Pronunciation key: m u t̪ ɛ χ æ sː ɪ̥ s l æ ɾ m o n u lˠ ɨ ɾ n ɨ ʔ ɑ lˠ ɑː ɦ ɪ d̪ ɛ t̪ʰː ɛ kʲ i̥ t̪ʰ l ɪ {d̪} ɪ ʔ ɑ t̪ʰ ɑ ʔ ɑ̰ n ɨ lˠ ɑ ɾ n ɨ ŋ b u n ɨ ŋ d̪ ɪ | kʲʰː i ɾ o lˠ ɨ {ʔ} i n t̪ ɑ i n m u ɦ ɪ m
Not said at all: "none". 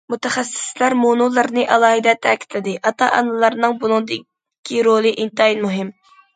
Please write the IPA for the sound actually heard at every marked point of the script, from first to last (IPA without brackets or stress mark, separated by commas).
d̪, ʔ